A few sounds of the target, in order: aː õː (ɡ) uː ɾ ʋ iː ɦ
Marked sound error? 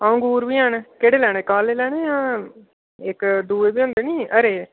no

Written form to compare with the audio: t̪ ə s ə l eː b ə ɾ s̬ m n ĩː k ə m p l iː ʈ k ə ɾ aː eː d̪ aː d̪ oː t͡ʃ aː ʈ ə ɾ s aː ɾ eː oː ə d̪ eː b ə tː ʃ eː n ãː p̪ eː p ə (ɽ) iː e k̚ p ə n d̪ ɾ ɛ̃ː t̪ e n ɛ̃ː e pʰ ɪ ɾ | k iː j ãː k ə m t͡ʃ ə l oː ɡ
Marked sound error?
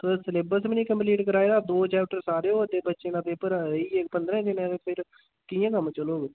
yes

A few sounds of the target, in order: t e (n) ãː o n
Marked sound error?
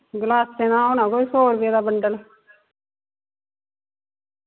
no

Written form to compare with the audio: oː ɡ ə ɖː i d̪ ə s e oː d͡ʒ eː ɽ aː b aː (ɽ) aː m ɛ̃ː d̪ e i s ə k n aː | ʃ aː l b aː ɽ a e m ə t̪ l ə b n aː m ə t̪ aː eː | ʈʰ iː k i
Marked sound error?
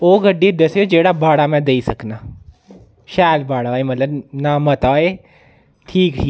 no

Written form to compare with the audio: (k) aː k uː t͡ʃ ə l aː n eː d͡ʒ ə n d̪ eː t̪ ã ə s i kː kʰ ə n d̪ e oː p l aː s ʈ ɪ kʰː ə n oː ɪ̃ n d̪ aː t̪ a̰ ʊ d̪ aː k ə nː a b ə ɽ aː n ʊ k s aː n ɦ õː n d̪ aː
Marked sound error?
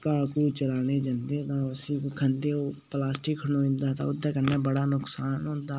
no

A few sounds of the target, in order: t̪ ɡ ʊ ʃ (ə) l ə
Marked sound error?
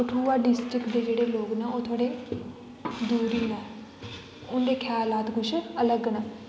no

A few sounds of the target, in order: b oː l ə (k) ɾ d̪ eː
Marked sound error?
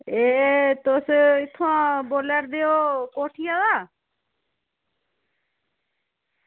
yes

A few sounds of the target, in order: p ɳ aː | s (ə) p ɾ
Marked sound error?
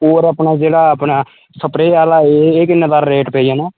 no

